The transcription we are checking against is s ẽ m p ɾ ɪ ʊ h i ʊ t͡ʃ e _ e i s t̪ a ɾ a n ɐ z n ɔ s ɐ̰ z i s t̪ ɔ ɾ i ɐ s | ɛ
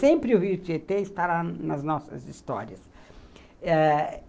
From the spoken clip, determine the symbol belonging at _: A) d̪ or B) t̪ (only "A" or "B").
B